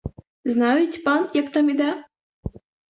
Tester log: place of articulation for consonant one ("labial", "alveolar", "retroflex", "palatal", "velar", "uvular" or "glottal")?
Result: alveolar